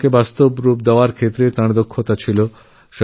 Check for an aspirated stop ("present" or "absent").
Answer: present